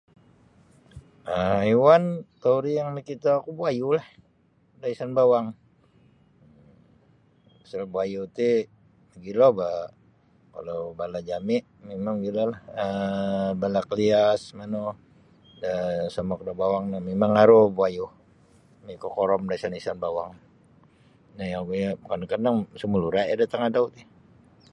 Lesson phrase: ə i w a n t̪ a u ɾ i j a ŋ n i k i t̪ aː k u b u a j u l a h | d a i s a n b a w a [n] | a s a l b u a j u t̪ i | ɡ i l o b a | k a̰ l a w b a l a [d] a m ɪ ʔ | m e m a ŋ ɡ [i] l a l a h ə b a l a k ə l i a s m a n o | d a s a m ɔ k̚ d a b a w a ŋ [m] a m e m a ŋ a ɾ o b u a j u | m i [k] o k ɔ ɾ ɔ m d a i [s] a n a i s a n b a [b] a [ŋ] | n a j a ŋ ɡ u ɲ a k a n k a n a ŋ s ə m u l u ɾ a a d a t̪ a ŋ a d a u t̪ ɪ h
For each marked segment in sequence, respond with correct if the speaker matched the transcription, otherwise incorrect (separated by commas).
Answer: incorrect, incorrect, correct, incorrect, correct, correct, incorrect, correct